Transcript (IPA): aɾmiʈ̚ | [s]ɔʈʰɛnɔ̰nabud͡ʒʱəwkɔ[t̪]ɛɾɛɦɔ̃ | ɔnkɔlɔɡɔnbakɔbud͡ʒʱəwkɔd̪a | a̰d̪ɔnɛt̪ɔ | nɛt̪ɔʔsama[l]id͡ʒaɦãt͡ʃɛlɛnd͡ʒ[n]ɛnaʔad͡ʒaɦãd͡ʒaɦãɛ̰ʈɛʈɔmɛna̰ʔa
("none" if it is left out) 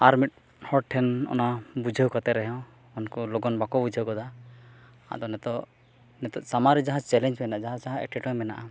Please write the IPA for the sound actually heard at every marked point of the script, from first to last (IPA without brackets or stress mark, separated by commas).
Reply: h, t̪, ɾ, m